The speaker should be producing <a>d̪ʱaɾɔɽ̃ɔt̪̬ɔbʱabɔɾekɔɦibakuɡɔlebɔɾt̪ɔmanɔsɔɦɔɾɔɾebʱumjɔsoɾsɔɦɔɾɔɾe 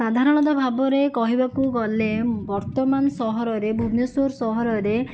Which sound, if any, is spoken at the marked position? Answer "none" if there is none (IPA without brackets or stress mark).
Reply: a